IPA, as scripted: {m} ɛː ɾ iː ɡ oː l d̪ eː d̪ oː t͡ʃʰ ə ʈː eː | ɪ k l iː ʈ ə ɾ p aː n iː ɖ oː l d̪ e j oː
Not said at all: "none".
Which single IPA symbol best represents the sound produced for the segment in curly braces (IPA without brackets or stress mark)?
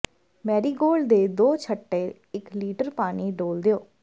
m